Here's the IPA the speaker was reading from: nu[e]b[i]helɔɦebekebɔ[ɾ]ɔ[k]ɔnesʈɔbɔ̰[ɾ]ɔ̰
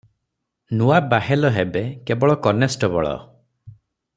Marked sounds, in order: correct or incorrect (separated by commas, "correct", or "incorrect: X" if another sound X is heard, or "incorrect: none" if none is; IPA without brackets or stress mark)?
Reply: incorrect: a, incorrect: a, incorrect: ɭ, correct, incorrect: ɭ